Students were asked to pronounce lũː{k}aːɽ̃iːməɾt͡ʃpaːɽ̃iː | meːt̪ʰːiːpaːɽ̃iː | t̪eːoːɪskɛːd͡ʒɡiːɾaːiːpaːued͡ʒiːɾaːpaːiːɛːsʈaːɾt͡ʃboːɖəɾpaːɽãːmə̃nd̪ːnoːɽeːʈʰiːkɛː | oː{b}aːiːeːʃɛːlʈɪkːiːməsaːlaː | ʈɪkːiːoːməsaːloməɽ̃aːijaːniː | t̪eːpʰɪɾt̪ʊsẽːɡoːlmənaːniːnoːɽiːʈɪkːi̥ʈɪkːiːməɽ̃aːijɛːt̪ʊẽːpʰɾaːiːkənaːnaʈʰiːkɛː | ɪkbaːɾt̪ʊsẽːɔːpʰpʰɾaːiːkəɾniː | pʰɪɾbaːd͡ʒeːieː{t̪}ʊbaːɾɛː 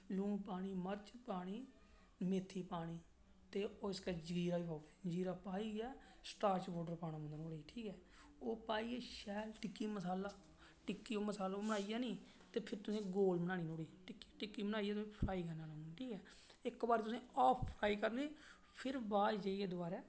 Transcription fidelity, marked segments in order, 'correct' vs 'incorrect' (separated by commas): incorrect, incorrect, incorrect